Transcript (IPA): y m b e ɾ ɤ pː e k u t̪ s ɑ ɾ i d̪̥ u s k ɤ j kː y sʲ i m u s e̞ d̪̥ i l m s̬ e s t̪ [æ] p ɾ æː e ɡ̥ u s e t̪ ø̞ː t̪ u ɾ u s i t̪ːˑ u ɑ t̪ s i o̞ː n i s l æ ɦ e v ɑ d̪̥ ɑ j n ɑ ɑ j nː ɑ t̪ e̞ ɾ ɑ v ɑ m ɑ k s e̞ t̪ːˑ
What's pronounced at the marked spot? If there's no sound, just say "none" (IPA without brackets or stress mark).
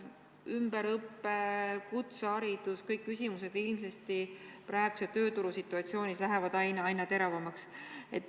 i